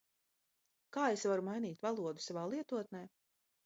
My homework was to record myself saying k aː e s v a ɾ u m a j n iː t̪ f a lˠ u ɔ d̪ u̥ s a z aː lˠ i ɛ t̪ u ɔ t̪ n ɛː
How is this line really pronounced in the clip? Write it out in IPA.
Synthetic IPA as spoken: k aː e s v a ɾ u m a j n iː t̪ v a lˠ u ɔ d̪ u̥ s a v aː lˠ i ɛ t̪ u ɔ t̪ n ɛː